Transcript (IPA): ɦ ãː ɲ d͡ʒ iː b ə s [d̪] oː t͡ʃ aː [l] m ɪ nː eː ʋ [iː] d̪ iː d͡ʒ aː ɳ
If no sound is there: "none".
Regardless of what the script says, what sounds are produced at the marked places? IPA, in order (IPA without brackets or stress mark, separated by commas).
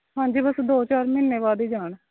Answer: d̪, ɾ, aː